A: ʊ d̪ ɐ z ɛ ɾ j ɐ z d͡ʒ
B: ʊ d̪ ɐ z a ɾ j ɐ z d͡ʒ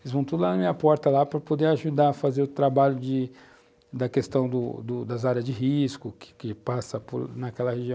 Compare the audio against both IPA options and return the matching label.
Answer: B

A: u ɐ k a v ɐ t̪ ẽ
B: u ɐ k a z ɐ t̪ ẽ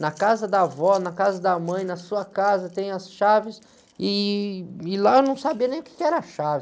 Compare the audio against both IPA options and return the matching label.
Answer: B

